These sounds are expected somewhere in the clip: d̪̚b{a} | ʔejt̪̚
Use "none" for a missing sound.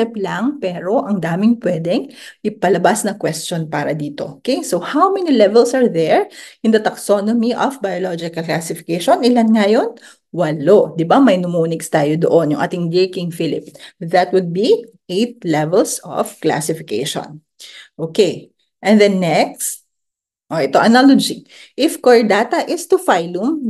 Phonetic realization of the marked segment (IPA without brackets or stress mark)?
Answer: i